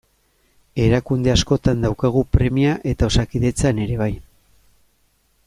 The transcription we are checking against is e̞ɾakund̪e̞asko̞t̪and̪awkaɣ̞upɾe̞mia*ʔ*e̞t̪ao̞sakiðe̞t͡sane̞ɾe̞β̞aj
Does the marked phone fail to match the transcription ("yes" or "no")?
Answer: no